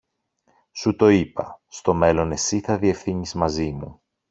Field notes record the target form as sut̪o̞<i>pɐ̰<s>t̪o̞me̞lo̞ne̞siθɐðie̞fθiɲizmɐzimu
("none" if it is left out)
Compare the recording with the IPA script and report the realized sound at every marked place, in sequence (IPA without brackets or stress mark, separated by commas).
i, s